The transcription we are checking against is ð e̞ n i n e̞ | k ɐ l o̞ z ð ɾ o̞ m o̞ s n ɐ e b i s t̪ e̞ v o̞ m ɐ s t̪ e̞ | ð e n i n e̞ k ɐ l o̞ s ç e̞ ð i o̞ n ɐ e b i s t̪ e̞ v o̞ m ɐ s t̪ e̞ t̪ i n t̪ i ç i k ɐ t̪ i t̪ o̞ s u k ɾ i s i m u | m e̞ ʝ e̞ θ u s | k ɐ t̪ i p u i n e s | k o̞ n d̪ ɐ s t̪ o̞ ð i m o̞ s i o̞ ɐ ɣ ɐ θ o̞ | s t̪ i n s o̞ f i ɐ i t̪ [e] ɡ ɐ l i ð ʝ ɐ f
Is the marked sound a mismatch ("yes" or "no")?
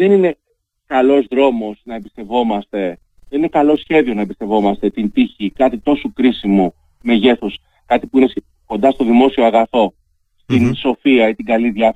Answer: yes